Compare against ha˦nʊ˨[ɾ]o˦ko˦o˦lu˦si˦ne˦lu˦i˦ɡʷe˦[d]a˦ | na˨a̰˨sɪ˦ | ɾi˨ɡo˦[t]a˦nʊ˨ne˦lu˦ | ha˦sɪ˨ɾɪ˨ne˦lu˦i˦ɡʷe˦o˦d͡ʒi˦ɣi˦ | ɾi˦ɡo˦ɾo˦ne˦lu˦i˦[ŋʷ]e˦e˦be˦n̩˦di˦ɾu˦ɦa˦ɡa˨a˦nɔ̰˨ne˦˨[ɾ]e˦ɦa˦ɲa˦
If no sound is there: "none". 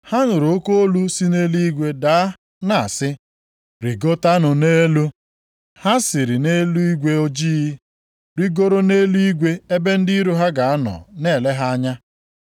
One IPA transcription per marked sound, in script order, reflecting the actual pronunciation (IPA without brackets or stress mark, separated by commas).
ɾ, d, t, ɡʷ, l